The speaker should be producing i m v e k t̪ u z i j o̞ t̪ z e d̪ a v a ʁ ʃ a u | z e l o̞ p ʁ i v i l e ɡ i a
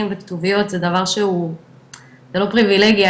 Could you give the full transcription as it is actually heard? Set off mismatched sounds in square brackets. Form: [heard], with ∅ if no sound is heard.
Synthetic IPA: i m v e k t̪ u [v] i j o̞ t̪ z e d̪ a v a ʁ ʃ [e] u | z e l o̞ p ʁ i v i l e ɡ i a